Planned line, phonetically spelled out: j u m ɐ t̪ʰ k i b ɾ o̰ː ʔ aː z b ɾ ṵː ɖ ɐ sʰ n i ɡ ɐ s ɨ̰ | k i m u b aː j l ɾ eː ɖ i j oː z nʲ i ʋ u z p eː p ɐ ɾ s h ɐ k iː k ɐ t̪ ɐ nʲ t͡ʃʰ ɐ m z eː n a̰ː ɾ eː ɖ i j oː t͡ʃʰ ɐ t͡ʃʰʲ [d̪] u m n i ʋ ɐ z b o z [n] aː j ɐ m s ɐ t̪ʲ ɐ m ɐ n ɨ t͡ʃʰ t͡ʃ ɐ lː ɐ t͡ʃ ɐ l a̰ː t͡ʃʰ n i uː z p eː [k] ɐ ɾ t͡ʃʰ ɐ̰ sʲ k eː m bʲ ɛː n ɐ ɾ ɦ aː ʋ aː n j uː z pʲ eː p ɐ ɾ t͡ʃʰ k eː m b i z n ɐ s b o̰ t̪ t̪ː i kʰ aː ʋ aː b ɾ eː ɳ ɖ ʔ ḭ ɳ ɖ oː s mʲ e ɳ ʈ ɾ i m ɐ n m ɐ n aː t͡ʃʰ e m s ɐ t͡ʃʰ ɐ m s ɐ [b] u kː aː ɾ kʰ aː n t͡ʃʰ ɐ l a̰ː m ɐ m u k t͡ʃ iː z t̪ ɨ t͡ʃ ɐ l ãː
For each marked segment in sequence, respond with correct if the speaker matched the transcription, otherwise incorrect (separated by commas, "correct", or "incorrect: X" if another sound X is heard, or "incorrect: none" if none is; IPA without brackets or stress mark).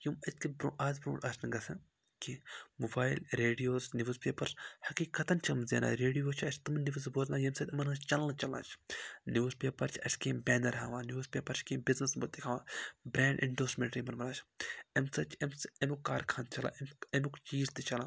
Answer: incorrect: t̪, correct, incorrect: p, incorrect: m